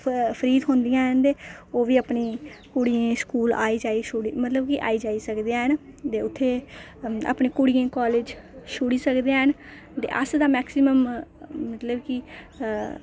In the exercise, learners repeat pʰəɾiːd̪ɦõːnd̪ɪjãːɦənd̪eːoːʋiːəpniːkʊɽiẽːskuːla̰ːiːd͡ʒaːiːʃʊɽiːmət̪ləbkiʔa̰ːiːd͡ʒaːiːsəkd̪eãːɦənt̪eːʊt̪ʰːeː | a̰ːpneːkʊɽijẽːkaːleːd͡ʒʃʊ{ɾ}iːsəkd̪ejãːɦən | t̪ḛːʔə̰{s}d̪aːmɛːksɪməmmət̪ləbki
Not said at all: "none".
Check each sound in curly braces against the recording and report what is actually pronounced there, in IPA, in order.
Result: ɽ, s

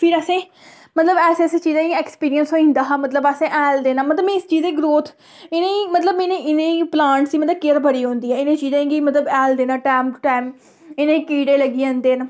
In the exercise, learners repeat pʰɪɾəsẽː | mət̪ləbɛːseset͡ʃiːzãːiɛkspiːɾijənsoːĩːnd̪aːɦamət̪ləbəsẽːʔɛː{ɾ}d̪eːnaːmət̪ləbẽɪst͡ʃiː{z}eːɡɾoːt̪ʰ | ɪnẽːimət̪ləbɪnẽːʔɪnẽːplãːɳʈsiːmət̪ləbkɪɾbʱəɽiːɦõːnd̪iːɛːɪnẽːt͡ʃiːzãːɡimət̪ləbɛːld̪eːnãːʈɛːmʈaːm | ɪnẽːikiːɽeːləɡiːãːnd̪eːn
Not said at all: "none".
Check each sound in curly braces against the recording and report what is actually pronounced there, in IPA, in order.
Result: l, z

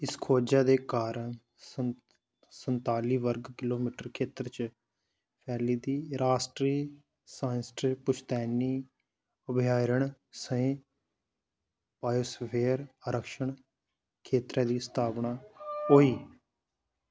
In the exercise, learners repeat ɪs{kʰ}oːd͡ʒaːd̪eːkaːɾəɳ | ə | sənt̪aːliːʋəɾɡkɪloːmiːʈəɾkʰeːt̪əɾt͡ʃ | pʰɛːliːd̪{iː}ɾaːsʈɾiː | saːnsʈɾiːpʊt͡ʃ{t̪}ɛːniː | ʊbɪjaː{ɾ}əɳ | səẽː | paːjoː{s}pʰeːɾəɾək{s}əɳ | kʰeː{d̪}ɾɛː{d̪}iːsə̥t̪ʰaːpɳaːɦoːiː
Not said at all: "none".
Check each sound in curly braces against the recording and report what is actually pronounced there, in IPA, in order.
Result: kʰ, iː, t̪, ɾ, s, ʃ, t̪, d̪

